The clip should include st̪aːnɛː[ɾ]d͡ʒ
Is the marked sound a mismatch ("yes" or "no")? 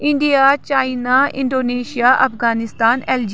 yes